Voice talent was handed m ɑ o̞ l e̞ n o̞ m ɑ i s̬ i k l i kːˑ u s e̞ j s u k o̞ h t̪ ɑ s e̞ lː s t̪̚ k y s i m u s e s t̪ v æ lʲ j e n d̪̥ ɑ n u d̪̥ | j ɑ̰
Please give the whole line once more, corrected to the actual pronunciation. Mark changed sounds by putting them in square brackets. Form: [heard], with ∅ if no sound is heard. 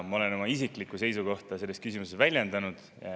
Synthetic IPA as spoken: m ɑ o̞ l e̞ n o̞ m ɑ i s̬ i k l i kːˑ u s e̞ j s u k o̞ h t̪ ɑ s e̞ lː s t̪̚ k y s i m u s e s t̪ v æ lʲ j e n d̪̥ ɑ n u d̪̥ | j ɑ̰